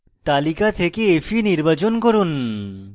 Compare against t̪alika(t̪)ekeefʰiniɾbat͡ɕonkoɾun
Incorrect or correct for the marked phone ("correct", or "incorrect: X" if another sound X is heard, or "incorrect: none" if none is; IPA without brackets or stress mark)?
incorrect: t̪ʰ